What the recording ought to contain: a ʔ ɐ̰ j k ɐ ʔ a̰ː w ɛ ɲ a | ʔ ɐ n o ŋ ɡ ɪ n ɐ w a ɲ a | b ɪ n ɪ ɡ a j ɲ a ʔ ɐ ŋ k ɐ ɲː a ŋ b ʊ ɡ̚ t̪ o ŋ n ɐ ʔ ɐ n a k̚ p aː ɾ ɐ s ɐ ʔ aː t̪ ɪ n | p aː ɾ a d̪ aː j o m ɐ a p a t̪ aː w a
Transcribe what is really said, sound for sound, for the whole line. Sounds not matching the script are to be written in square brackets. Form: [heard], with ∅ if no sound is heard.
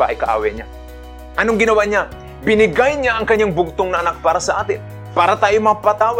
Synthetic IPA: a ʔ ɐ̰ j k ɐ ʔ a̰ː w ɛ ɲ a | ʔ ɐ n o ŋ ɡ ɪ n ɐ w a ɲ a | b ɪ n ɪ ɡ a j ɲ a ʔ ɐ ŋ k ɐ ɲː a ŋ b ʊ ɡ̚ t̪ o ŋ n ɐ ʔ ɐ n a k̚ p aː ɾ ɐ s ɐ ʔ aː t̪ ɪ n | p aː ɾ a [t̪] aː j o m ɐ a p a t̪ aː w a